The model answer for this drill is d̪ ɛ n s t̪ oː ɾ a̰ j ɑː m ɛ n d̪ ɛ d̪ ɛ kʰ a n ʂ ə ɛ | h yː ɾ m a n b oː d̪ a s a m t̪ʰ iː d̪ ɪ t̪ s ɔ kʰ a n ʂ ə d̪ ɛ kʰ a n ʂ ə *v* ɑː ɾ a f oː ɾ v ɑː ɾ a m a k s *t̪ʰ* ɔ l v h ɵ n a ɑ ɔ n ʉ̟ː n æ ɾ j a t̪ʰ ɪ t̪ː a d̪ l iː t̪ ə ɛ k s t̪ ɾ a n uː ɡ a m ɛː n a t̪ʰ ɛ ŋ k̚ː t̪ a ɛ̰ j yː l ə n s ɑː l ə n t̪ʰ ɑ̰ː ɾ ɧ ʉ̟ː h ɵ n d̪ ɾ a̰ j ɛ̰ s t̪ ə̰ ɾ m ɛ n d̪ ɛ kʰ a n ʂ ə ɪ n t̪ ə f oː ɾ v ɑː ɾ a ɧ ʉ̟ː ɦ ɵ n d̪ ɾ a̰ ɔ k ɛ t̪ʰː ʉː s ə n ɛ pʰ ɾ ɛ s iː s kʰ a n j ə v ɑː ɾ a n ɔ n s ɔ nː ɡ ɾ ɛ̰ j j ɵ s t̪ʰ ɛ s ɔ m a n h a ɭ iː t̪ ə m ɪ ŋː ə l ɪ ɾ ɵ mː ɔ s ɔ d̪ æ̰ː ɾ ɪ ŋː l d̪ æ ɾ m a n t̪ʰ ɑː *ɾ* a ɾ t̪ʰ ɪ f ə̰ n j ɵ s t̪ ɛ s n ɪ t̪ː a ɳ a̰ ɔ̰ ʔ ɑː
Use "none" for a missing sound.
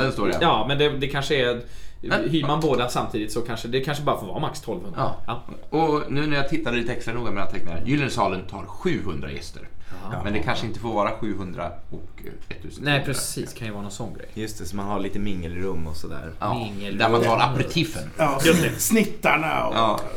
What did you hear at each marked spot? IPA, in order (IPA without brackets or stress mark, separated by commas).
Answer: b, t̪ʰ, ɾ